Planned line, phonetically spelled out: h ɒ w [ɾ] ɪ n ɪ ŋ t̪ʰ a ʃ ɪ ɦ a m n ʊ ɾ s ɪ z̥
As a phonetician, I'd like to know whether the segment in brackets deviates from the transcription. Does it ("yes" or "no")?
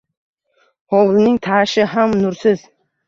yes